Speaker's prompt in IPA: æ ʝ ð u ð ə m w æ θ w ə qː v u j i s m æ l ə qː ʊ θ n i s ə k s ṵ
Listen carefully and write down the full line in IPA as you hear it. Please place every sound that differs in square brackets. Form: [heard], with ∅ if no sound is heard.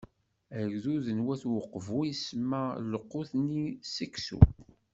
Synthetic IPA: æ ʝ ð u ð ə [n] w æ θ w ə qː v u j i s m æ l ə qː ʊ θ n i s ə k s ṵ